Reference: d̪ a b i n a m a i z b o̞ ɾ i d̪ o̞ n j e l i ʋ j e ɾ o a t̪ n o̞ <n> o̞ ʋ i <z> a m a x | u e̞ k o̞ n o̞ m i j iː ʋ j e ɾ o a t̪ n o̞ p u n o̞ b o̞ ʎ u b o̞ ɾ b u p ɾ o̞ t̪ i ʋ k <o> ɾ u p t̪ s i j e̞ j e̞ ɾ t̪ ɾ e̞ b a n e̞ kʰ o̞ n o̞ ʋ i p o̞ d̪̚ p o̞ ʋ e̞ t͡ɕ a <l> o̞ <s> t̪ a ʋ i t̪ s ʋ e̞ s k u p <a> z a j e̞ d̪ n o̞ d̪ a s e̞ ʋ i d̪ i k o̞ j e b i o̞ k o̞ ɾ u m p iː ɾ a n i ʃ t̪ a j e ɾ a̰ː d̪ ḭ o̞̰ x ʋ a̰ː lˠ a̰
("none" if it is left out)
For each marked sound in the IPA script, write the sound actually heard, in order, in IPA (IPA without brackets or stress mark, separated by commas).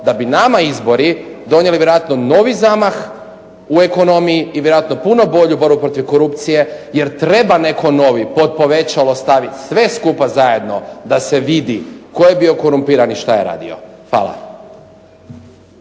n, z, o, l, s, a